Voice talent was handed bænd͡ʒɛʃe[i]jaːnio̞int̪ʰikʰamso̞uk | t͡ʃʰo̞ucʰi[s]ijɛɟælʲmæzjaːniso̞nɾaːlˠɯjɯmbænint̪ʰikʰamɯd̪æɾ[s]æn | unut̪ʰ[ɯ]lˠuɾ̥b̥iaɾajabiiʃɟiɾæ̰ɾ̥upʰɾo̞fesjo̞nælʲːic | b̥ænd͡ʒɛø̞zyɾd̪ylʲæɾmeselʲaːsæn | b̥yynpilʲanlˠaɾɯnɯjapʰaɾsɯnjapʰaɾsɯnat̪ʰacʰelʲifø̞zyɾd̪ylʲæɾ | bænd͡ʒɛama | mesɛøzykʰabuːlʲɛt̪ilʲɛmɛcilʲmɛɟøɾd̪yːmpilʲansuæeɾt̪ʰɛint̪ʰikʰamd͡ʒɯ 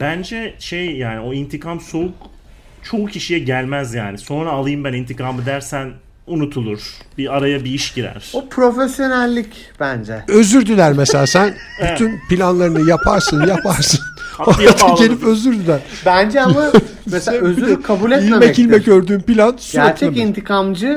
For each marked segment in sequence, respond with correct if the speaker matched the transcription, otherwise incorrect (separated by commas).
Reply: incorrect, incorrect, correct, incorrect